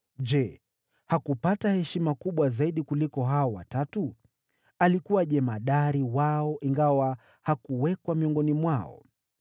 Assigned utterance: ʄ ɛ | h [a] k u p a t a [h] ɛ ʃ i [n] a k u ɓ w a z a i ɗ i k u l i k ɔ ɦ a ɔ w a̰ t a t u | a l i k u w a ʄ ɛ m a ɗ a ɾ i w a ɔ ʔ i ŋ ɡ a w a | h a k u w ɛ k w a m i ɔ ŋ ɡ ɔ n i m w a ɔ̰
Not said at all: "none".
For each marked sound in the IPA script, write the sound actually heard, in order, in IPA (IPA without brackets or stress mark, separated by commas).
a, h, m